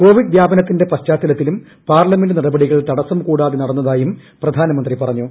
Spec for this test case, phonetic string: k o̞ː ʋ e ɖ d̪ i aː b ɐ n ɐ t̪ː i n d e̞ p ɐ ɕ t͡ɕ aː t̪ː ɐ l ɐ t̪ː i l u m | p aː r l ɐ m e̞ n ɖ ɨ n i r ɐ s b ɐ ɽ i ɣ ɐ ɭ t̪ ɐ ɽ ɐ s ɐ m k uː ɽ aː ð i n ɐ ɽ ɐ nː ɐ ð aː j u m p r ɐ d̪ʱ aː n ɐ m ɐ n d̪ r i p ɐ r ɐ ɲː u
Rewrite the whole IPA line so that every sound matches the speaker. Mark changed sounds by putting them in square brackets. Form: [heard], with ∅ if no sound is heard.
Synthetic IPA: k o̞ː ʋ [i] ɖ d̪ [j] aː b ɐ n ɐ t̪ː i n d e̞ p ɐ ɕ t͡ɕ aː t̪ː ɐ l ɐ t̪ː i l u m | p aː r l ɐ m e̞ n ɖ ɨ n i r ɐ [∅] b ɐ ɽ i ɣ ɐ ɭ t̪ ɐ ɽ ɐ s ɐ m k uː ɽ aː ð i n ɐ ɽ ɐ nː ɐ ð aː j u m p r ɐ d̪ʱ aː n ɐ m ɐ n d̪ r i p ɐ r ɐ ɲː u